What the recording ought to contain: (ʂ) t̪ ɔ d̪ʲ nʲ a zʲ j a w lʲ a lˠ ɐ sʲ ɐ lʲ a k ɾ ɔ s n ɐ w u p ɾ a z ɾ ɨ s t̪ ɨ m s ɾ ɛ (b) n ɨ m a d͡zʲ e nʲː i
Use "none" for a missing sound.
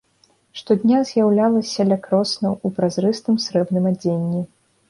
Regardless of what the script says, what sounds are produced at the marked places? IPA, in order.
ʂ, b

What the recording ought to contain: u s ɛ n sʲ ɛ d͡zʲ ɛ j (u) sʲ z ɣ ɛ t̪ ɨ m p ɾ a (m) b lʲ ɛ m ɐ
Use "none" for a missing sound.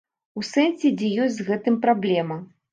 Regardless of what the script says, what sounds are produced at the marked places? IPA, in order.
ɔ, none

